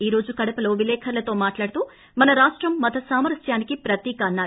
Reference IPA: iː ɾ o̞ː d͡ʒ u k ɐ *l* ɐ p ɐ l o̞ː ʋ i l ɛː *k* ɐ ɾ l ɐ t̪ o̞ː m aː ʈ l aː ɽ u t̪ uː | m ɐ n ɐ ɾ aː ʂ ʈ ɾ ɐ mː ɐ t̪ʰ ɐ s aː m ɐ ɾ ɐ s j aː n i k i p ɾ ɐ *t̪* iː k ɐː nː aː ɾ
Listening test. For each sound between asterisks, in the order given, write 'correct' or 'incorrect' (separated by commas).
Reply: incorrect, incorrect, correct